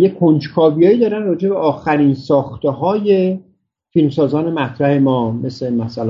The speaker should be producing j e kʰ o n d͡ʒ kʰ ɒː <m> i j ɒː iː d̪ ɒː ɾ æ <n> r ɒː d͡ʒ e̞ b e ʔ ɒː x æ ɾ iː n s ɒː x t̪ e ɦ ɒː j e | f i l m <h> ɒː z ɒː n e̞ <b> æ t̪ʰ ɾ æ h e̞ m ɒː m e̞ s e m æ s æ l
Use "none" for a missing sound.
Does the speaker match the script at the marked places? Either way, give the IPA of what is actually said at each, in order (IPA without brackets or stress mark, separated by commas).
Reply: b, n, s, m